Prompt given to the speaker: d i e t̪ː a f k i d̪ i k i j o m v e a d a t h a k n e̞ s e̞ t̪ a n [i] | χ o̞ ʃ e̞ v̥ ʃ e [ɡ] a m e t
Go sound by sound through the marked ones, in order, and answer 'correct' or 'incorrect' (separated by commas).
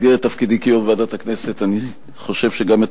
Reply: correct, correct